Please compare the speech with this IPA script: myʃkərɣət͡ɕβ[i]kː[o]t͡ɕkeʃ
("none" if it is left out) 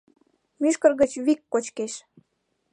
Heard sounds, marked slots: i, o

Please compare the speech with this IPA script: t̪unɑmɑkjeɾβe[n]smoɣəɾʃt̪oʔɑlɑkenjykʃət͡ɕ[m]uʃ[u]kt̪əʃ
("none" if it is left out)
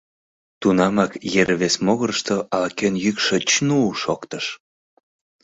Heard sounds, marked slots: none, n, o

